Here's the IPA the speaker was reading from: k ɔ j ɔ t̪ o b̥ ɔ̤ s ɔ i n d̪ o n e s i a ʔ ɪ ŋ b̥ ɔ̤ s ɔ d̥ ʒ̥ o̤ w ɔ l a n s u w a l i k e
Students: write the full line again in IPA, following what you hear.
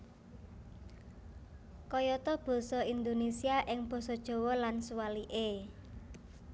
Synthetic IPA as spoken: k ɔ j ɔ t̪ ɔ b̥ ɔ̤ s ɔ i n d̪ o n e s i a ʔ ɪ ŋ b̥ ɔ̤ s ɔ d̥ ʒ̥ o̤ w ɔ l a n s u w a l i ʔ e